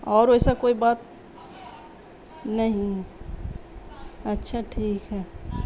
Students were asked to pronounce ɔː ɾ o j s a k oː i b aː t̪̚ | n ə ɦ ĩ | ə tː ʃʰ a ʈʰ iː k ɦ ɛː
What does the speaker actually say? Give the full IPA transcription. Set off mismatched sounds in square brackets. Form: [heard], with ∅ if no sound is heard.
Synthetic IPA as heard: ɔː ɾ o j s a k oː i b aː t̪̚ | n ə ɦ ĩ | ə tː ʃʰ a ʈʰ iː k ɦ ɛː